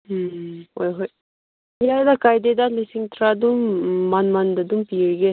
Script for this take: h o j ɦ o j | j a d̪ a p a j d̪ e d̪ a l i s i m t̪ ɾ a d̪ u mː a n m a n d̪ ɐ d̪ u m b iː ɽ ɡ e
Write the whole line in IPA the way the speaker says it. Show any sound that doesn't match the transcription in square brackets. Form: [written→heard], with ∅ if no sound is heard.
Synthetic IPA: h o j ɦ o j | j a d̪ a [p→k] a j d̪ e d̪ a l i s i [m→ŋ] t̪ ɾ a d̪ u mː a n m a n d̪ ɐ d̪ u m [b→p] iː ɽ ɡ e